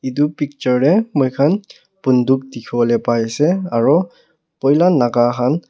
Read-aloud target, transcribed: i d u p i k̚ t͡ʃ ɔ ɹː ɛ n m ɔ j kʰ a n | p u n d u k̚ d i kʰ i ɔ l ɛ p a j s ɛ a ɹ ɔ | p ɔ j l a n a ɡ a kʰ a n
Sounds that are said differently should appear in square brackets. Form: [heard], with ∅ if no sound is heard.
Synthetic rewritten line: i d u p i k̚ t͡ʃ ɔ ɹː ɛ [∅] m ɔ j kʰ a n | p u n d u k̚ d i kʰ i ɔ l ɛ p a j s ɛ a ɹ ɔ | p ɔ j l a n a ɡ a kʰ a n